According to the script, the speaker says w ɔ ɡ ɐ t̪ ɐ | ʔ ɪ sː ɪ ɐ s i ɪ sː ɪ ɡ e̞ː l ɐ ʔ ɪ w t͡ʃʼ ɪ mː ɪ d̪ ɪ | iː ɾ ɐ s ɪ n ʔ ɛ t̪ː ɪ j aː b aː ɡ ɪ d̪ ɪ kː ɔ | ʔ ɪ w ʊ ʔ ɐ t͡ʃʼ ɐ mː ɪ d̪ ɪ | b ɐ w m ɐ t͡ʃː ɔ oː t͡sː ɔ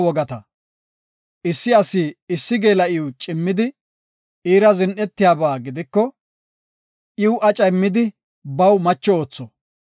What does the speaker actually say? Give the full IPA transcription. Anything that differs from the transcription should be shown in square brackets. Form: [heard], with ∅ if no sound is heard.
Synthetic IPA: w ɔ ɡ ɐ t̪ ɐ | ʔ ɪ sː ɪ ɐ s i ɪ sː ɪ ɡ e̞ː l ɐ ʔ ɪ w t͡ʃʼ ɪ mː ɪ d̪ ɪ | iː ɾ ɐ [z] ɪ n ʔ ɛ t̪ː ɪ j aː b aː ɡ ɪ d̪ ɪ kː ɔ | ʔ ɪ w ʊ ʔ ɐ t͡ʃʼ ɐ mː ɪ d̪ ɪ | b ɐ w m ɐ t͡ʃː ɔ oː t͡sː ɔ